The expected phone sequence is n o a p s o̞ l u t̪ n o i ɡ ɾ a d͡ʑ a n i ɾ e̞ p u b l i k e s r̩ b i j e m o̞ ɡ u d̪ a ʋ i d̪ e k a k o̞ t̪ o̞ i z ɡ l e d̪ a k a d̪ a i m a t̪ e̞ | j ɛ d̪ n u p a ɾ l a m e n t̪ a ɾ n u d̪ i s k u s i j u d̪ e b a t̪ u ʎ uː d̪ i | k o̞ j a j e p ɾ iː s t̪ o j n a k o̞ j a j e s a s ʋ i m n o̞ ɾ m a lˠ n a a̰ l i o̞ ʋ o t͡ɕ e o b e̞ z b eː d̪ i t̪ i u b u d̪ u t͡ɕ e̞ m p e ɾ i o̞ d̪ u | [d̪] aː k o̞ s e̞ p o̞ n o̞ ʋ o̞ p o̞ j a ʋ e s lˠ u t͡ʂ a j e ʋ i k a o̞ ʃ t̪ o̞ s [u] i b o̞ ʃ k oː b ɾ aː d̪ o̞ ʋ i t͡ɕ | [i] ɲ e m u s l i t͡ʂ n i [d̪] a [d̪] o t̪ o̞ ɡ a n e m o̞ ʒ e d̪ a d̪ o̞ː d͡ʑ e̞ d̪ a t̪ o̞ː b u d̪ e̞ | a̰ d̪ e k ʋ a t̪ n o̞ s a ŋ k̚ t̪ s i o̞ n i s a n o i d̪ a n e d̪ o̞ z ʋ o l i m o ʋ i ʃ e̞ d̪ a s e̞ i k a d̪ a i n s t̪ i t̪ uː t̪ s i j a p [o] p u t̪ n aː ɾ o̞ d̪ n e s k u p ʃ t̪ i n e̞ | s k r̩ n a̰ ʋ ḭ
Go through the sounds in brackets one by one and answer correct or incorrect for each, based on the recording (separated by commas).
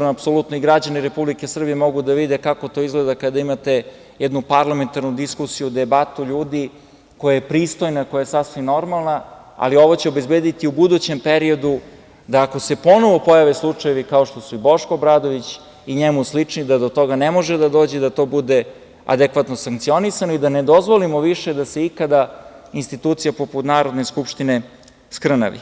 correct, correct, correct, correct, correct, correct